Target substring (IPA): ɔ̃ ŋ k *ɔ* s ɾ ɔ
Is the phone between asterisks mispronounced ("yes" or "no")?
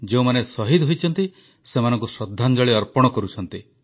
yes